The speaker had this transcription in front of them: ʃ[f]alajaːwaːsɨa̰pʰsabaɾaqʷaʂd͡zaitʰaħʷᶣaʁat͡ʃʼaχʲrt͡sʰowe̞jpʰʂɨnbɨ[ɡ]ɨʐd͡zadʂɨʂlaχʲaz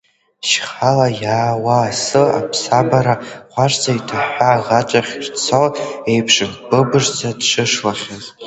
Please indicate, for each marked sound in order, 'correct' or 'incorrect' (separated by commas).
incorrect, incorrect